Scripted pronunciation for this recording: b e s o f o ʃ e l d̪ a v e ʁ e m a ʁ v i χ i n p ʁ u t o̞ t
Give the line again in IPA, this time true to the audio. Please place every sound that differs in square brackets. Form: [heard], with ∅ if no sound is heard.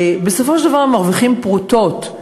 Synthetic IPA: b e s o f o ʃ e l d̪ a v [a] ʁ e m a ʁ v i χ i [m] p ʁ u t o̞ t

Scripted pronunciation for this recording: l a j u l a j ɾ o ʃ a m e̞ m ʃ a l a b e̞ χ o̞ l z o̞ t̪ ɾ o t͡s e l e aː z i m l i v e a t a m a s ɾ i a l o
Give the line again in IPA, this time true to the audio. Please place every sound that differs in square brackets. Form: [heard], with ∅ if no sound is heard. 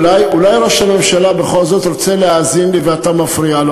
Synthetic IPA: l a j u l a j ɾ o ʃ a m e̞ m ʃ a l a b e̞ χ o̞ l z o̞ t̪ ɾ o t͡s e l e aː z i [n] l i v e a t a m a [f] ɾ i a l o

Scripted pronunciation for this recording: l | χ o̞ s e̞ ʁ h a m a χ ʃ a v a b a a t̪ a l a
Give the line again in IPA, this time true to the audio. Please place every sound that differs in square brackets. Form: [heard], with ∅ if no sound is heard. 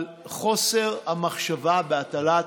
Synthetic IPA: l | χ o̞ s e̞ ʁ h a m a χ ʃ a v a b [e] a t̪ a l a

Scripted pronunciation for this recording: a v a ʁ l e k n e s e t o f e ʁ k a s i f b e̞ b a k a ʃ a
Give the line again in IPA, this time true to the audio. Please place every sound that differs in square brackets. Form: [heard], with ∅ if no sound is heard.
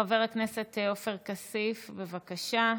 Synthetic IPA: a v [e] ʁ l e k n e s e t o f e ʁ k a s i f b e̞ [v] a k a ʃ a

